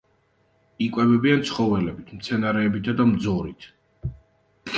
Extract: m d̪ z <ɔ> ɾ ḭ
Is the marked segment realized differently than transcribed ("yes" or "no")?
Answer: no